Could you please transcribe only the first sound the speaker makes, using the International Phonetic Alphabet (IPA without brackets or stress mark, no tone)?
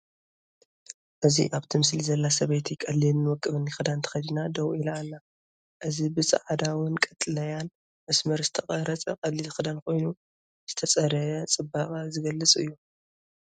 ʔ